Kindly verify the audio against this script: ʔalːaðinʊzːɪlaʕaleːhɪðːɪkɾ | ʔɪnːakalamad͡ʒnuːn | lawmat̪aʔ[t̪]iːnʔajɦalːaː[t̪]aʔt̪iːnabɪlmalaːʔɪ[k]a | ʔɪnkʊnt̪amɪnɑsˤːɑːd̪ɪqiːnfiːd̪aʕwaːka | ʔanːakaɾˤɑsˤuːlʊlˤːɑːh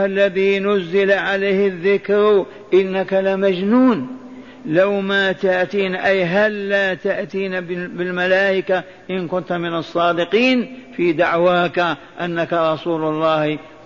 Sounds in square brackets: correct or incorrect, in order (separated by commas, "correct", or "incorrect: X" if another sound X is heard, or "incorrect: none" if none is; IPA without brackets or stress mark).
correct, correct, correct